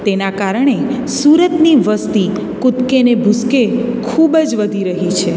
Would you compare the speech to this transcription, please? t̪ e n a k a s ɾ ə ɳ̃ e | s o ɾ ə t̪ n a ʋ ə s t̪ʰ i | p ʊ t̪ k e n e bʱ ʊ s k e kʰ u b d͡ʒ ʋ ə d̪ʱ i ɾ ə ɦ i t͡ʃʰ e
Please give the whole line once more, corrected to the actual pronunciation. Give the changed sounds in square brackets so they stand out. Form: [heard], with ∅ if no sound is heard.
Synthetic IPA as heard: t̪ e n a k a [∅] ɾ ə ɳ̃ e | s [u] ɾ ə t̪ n [i] ʋ ə s [t̪] i | [k] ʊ t̪ k e n e bʱ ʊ s k e kʰ u b d͡ʒ ʋ ə d̪ʱ i ɾ ə ɦ i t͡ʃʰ e